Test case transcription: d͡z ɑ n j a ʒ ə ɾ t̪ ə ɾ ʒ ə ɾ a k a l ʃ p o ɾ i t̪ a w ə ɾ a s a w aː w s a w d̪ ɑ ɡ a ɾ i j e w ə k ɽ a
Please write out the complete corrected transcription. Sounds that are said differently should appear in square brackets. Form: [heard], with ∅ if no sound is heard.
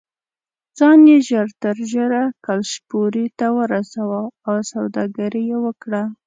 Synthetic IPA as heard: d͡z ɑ n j [e] ʒ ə ɾ t̪ ə ɾ ʒ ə ɾ a k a l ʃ p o ɾ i t̪ a w ə ɾ a s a w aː w s a w d̪ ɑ ɡ a ɾ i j e w ə k ɽ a